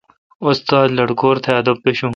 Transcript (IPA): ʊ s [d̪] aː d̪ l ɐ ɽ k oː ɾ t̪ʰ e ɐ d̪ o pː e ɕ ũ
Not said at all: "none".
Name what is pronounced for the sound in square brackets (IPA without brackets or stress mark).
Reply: t̪